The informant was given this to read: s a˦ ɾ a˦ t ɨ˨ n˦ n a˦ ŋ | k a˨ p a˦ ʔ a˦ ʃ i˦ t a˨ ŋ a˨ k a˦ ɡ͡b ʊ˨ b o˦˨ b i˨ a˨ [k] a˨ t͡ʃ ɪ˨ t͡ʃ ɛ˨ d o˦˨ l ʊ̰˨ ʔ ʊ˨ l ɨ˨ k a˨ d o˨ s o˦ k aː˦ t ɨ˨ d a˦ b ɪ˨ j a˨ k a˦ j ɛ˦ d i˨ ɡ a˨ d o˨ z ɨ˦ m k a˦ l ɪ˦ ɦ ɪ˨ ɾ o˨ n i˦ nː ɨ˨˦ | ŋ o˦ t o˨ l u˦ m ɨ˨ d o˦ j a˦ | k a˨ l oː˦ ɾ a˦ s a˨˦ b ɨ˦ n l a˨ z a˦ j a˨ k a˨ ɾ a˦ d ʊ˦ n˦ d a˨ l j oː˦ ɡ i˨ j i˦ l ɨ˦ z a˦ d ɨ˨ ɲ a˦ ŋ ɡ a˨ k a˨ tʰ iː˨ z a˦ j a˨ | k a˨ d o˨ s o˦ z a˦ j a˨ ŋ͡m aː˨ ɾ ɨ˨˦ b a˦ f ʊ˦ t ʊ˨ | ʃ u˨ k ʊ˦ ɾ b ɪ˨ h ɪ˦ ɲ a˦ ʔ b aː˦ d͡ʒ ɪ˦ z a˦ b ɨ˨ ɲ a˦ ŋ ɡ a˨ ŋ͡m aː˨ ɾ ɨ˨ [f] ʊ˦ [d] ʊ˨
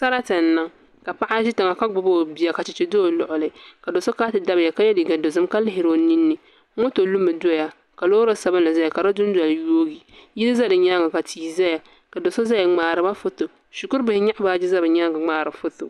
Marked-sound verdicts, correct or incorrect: correct, correct, incorrect

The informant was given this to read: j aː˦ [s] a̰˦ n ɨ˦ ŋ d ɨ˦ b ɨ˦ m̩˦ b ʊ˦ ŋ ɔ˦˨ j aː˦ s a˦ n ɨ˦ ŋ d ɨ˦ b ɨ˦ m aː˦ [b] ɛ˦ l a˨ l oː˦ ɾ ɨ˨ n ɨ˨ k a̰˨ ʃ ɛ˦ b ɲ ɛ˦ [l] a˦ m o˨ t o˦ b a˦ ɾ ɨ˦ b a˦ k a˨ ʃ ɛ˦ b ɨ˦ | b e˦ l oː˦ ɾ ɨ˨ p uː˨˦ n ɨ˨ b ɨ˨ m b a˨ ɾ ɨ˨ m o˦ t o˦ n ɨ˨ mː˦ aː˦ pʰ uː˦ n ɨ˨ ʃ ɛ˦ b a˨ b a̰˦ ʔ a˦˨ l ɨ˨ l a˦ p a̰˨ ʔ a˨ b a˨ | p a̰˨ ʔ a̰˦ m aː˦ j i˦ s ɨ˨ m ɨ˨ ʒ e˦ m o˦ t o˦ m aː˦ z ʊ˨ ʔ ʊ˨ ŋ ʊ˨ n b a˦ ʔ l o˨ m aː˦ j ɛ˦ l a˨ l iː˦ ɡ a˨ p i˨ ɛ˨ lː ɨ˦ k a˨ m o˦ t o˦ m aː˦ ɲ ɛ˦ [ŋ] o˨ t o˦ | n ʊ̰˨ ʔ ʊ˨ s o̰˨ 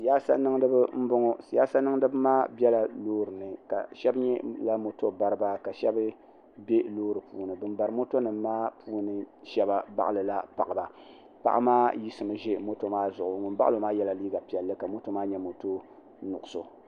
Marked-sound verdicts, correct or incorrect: correct, correct, correct, incorrect

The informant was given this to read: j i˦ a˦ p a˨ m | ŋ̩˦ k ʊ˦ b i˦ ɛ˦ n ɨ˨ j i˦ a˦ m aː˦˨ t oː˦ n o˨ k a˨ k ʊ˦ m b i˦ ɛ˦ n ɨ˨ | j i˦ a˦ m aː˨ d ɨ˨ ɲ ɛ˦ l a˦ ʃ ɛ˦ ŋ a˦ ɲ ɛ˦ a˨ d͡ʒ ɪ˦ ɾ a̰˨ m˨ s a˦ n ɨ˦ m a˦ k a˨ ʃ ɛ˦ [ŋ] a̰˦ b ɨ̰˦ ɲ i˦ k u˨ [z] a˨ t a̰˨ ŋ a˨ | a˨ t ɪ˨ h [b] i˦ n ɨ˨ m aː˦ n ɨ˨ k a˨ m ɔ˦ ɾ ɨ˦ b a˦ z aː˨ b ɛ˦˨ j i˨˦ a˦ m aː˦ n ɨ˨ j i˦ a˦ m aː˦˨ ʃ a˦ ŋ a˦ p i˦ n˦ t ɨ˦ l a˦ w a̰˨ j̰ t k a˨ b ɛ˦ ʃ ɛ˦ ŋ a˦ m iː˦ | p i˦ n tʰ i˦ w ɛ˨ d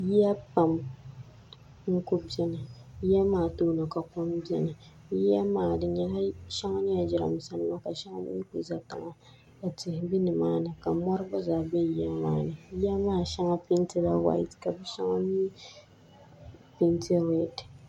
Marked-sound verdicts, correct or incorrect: correct, correct, correct

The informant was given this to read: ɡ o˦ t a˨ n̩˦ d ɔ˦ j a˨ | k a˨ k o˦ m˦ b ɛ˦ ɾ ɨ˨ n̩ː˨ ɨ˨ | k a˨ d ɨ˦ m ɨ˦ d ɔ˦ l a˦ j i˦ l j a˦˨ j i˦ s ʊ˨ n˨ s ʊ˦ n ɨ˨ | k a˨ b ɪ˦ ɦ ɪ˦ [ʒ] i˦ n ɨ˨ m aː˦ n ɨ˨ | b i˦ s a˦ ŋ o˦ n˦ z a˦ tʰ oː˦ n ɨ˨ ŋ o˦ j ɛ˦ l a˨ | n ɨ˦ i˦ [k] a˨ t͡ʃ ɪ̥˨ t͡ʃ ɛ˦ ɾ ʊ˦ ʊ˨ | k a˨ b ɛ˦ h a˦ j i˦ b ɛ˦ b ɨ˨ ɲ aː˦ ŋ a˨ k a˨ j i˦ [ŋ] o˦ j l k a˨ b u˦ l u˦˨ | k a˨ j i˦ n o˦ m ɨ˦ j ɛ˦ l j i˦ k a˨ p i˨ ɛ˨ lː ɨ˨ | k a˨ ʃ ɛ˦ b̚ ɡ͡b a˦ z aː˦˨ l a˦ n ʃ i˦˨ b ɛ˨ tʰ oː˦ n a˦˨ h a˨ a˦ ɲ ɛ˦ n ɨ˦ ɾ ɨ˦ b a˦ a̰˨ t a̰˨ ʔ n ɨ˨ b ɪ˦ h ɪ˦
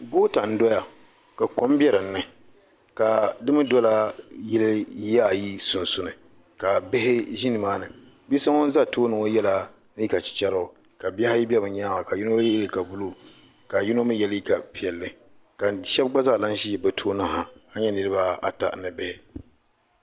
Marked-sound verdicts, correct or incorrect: correct, correct, incorrect

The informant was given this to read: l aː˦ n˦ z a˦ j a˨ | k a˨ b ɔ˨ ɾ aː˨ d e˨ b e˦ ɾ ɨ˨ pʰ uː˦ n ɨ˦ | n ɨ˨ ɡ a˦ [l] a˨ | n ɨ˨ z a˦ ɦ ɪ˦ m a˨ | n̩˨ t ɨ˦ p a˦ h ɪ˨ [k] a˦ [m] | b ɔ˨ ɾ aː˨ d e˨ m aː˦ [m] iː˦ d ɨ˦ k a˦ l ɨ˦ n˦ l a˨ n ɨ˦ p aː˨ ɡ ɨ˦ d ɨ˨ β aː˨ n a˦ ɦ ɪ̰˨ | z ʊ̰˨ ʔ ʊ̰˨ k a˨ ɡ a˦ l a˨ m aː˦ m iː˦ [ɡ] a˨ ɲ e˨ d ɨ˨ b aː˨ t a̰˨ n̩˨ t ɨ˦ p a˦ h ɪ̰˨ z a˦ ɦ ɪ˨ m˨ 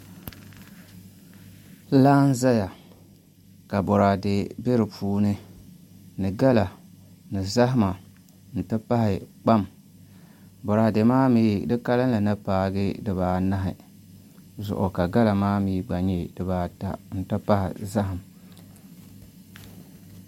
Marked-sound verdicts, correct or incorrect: correct, incorrect, correct, correct, incorrect

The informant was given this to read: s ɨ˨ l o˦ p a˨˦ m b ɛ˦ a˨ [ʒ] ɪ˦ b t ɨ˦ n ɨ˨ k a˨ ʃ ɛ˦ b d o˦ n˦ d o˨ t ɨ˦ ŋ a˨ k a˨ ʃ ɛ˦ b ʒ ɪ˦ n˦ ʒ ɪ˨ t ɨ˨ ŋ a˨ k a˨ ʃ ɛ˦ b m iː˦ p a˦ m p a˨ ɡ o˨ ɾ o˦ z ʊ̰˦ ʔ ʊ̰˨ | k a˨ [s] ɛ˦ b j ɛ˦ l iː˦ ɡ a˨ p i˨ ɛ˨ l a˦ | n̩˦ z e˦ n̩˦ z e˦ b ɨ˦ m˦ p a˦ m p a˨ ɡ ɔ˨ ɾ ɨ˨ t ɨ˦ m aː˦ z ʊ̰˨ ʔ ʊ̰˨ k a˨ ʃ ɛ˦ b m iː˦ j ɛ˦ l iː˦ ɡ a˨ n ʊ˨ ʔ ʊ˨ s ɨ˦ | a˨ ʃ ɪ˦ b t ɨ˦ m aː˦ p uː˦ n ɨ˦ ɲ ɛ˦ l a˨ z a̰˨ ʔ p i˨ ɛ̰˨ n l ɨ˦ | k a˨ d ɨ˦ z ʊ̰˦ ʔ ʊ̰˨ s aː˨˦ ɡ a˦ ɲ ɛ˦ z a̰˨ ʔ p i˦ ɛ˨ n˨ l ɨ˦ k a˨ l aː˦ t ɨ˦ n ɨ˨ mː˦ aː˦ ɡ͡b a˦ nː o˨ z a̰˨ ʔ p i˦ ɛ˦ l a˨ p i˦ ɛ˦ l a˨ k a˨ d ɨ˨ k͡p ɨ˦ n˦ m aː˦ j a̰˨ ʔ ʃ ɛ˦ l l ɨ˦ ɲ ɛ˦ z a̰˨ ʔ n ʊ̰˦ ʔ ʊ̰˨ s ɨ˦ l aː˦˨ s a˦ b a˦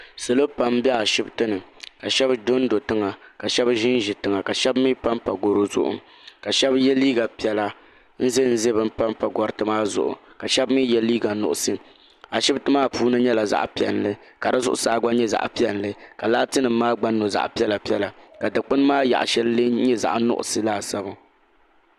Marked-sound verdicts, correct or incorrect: incorrect, incorrect

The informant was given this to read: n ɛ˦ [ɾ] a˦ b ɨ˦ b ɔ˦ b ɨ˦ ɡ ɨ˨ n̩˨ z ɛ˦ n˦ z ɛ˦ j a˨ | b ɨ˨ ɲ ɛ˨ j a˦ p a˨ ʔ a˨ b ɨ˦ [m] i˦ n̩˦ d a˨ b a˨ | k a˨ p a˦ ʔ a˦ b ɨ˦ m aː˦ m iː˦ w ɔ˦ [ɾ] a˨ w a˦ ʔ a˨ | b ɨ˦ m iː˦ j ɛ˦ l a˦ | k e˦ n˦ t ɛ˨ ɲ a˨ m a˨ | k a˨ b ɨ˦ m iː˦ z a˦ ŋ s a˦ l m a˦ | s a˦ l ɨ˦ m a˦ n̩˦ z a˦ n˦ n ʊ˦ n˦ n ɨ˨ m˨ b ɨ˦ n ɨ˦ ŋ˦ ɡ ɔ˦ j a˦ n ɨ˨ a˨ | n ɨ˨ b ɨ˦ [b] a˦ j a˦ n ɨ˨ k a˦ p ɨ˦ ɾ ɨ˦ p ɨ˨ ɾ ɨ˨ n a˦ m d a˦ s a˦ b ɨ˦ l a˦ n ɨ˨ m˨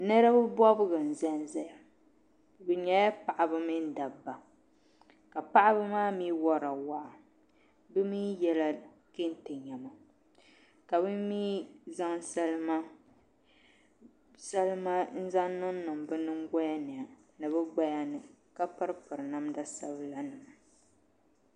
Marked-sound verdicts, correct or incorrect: correct, correct, correct, incorrect

